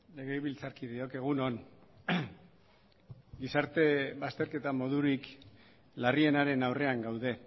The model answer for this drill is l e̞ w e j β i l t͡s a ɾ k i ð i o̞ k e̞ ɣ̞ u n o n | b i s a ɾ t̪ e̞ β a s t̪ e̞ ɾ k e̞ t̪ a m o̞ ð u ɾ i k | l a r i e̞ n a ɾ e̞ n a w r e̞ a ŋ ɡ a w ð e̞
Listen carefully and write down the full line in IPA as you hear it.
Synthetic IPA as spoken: l e̞ ɣ e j β i l t͡s a ɾ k i ð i o̞ k e̞ ɣ̞ u n o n | ɡ i s a ɾ t̪ e̞ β a s t̪ e̞ ɾ k e̞ t̪ a m o̞ ð u ɾ i k | l a r i e̞ n a ɾ e̞ n a w r e̞ a ŋ ɡ a w ð e̞